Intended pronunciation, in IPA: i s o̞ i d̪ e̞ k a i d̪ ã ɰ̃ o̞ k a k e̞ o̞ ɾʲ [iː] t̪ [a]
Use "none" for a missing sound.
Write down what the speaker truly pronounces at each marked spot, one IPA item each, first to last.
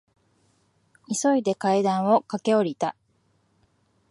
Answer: i, a

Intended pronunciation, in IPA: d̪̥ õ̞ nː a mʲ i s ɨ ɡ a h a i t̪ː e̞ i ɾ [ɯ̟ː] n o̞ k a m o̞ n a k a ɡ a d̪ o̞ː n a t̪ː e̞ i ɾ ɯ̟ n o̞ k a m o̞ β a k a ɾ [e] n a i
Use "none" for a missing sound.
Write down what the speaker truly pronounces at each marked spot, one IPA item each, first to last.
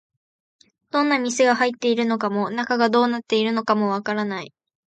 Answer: ɯ̟, a

